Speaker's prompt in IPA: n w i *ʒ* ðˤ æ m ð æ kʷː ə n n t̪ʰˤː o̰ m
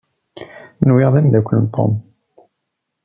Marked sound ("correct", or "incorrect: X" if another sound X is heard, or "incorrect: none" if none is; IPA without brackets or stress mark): incorrect: ʁ